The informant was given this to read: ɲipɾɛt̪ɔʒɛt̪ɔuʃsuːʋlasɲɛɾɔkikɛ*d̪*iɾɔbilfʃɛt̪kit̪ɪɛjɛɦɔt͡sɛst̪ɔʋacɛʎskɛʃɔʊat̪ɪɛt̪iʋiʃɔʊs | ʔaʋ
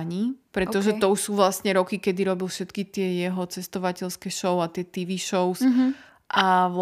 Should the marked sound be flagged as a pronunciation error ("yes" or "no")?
no